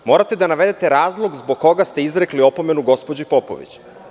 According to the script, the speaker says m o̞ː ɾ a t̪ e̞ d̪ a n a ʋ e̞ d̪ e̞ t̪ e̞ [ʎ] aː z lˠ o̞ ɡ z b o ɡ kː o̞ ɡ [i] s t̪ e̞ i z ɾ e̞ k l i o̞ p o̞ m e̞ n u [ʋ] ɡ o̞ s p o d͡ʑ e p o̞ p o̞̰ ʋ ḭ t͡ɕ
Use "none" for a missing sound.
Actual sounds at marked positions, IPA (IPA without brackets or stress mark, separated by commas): ɾ, a, none